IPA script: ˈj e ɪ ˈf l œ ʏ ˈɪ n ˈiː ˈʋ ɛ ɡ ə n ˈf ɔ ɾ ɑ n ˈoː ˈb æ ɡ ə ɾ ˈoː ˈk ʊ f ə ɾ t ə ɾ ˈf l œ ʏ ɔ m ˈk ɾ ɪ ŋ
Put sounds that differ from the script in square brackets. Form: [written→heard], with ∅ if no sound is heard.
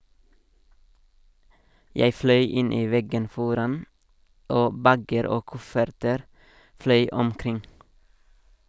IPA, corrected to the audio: ˈj e ɪ ˈf l œ ʏ ˈɪ n ˈiː ˈʋ ɛ ɡ ə n ˈf ɔ ɾ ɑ n ˈoː ˈb æ ɡ ə ɾ ˈoː ˈk ʊ f ə ɾ t ə ɾ ˈf l œ ʏ ɔ m ˈk ɾ ɪ ŋ